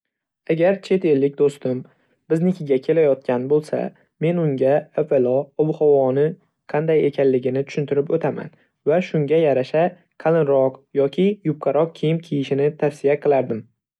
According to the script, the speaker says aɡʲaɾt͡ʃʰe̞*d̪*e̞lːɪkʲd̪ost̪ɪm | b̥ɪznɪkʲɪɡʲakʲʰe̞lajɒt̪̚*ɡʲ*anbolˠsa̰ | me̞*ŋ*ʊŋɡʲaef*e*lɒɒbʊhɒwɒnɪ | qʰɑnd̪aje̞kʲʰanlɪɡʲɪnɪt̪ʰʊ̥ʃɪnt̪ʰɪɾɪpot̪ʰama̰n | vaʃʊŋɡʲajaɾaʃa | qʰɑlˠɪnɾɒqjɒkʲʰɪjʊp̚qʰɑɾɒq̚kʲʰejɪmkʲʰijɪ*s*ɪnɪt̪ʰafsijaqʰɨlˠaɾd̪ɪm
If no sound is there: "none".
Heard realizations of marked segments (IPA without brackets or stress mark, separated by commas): t̪, kʲ, n, e, ʃ